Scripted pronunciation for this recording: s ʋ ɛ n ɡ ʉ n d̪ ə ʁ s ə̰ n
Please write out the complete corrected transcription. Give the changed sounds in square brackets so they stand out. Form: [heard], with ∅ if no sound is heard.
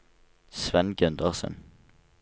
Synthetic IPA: s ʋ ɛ n ɡ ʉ n d̪ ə ʁ s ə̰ n